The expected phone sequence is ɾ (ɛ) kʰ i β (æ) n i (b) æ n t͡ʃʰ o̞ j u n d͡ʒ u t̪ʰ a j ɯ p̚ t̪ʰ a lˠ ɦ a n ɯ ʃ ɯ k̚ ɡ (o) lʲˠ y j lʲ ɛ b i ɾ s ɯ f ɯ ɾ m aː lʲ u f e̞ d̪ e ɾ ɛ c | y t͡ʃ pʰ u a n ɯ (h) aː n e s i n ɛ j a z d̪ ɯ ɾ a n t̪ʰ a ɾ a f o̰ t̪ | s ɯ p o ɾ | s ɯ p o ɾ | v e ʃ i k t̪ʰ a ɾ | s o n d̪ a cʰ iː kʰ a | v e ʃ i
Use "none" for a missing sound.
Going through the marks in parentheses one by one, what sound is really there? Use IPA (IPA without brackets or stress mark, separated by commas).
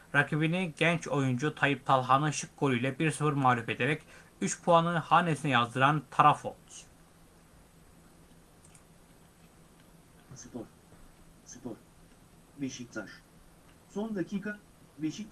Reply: a, i, ɟ, o, h